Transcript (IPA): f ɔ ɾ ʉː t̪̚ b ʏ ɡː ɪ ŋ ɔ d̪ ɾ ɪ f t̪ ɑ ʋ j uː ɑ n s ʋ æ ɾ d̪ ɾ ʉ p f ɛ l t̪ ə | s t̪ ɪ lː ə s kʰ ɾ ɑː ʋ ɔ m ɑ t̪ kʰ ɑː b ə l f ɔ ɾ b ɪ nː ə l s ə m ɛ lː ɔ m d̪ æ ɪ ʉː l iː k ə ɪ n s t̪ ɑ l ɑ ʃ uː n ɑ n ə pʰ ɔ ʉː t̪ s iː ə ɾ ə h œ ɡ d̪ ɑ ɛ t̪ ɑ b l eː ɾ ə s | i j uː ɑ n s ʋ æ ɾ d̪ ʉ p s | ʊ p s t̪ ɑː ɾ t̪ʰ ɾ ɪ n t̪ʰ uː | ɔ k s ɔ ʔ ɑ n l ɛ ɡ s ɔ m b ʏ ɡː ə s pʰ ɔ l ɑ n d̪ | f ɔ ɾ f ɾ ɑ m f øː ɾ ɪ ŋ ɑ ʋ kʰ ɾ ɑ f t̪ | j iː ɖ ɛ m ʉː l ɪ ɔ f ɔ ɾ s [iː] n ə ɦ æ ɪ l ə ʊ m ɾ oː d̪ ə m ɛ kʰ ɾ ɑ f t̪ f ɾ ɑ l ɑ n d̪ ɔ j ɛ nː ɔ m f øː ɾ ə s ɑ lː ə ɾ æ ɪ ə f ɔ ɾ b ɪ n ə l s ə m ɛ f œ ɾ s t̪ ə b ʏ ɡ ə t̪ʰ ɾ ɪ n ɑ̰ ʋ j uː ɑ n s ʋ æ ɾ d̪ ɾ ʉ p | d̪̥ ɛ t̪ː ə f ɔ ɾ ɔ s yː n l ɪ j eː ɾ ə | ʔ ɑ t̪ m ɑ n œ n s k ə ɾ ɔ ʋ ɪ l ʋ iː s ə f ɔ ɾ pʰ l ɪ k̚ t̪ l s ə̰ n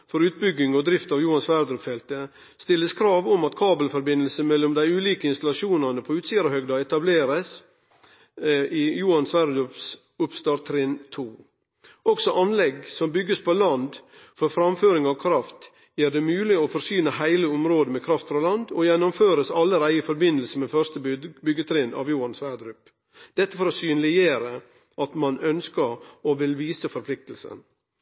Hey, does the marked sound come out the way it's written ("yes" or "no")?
no